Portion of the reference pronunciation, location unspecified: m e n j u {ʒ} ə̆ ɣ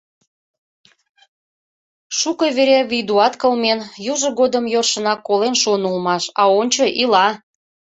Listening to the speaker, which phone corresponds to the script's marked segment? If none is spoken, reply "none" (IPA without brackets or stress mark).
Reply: ʒ